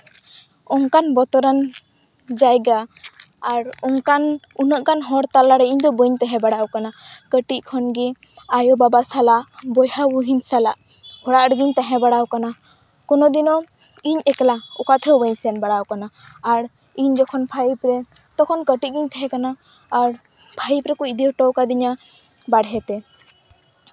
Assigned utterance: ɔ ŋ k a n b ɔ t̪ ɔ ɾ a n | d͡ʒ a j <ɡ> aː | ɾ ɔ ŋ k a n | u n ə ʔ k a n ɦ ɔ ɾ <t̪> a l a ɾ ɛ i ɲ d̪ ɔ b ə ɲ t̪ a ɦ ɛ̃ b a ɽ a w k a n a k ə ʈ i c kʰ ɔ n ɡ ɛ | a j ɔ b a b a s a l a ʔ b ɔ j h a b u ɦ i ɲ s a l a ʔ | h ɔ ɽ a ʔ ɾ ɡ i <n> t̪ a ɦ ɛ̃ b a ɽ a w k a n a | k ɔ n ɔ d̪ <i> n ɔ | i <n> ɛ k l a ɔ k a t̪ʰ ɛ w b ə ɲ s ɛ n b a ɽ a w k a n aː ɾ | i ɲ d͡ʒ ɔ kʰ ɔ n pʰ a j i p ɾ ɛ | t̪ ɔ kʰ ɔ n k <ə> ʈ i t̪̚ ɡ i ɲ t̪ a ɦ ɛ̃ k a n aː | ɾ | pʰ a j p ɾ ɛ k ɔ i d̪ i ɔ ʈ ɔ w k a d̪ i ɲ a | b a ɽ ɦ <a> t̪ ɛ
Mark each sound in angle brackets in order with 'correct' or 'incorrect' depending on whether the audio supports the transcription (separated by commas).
correct, correct, incorrect, correct, incorrect, correct, incorrect